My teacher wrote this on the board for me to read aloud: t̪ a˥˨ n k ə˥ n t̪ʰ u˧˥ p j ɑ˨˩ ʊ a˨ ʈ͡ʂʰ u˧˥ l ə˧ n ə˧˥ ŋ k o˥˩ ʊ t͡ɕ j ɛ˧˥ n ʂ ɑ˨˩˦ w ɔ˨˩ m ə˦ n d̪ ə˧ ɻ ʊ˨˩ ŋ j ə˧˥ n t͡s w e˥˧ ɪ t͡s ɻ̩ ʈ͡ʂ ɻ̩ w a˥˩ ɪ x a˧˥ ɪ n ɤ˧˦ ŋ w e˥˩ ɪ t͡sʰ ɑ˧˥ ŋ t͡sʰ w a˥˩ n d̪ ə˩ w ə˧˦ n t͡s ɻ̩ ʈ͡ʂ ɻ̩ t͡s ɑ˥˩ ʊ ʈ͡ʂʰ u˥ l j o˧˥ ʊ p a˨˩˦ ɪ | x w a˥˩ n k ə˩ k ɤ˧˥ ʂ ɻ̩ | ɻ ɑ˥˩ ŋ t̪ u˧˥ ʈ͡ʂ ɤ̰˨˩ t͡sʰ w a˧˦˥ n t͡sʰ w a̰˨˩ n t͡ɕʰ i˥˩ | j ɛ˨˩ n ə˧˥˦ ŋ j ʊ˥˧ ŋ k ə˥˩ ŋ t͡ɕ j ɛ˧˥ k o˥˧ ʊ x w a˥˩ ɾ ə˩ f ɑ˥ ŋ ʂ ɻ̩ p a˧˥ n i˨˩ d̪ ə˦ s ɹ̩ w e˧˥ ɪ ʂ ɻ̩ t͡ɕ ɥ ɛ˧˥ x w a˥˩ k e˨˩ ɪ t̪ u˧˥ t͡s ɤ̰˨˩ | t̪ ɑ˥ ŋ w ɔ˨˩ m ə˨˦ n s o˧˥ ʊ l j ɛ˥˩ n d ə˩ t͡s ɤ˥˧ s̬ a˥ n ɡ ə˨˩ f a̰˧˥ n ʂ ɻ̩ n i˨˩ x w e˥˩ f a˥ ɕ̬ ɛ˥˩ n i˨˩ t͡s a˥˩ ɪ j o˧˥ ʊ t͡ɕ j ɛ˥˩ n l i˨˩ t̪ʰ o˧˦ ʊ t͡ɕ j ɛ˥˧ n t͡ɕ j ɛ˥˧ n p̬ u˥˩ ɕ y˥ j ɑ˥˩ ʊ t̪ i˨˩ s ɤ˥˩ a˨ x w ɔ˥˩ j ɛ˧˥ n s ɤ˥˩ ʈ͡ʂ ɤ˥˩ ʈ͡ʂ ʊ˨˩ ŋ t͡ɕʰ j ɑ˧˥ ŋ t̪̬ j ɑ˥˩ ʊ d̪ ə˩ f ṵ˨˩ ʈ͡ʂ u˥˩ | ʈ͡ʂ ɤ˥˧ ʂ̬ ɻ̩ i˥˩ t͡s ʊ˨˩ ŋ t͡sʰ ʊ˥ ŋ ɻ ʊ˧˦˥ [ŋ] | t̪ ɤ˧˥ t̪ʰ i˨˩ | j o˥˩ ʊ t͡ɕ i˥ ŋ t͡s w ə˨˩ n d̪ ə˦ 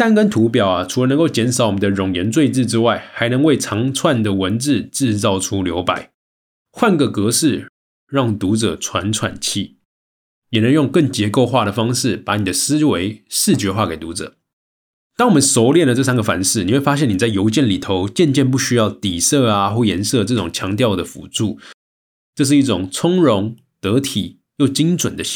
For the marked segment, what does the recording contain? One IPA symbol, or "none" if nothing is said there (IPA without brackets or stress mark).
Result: ŋ